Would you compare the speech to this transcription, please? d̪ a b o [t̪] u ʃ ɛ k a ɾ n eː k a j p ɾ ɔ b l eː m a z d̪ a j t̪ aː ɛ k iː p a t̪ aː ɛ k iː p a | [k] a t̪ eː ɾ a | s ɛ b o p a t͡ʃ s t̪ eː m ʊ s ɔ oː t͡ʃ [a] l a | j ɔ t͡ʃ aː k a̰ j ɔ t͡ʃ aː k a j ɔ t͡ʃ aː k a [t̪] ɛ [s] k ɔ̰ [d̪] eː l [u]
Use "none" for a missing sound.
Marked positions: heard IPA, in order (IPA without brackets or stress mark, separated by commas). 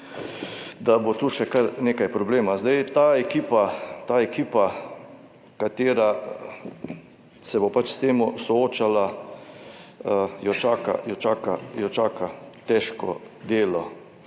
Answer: t̪, k, a, t̪, ʃ, d̪, ɔ